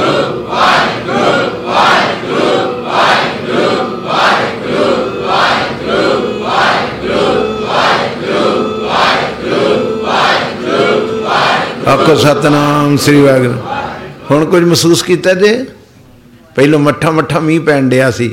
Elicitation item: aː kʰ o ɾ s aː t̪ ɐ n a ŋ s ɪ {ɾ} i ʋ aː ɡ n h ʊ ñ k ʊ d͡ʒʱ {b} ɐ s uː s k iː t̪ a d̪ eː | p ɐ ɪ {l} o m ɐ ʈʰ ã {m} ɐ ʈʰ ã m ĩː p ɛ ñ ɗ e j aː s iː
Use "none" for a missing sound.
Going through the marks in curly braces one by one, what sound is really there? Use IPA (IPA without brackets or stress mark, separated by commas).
ɾ, m, l, m